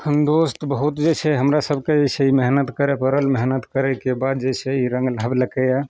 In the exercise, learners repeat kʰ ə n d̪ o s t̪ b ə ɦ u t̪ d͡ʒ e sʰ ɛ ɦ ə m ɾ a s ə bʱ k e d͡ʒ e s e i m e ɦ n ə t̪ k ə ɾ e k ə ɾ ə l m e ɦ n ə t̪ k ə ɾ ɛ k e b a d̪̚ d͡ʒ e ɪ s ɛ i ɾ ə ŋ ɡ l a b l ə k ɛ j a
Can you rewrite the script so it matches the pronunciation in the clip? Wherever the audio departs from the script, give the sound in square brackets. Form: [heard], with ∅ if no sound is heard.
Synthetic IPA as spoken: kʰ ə n d̪ o s t̪ b ə ɦ u t̪ d͡ʒ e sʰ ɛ ɦ ə m ɾ a s ə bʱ k e d͡ʒ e s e i m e ɦ n ə t̪ k ə ɾ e [p] ə ɾ ə l m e ɦ n ə t̪ k ə ɾ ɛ k e b a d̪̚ d͡ʒ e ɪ s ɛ i ɾ ə ŋ ɡ l a b l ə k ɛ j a